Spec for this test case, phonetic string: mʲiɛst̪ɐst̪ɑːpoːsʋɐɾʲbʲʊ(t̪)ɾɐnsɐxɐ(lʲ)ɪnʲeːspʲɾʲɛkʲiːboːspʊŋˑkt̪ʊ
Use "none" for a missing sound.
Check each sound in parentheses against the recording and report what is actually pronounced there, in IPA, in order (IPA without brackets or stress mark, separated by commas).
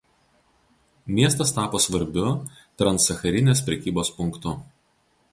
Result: t̪, ɾʲ